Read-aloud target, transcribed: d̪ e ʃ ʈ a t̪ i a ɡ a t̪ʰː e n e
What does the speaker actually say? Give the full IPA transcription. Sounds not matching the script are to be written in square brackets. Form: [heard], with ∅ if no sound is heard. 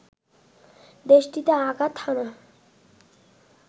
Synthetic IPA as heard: d̪ e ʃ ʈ [i] t̪ [e] a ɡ a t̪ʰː [a] n [a]